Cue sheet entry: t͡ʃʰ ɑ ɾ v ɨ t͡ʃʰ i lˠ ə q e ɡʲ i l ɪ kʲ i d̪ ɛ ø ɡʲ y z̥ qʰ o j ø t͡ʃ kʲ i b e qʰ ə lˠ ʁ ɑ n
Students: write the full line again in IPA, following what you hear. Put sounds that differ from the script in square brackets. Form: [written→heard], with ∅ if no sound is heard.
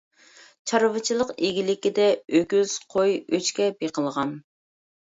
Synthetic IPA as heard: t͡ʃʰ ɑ ɾ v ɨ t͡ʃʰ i lˠ ə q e ɡʲ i l ɪ kʲ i d̪ ɛ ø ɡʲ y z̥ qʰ o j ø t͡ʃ kʲ [i→ɛ] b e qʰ ə lˠ ʁ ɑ n